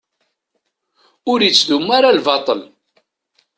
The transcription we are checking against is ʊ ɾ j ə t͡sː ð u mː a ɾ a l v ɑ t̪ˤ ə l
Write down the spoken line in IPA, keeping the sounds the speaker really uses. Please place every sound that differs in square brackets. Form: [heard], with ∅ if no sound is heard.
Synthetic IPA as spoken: ʊ ɾ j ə t͡sː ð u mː a ɾ a l v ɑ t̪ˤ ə l